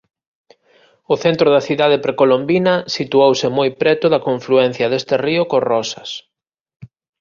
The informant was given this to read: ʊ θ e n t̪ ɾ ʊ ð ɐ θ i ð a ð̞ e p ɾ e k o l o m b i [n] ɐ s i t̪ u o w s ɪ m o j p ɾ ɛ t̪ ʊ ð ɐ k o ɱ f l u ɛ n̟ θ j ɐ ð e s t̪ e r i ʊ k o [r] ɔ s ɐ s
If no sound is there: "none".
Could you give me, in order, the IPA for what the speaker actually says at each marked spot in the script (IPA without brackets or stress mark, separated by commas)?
n, r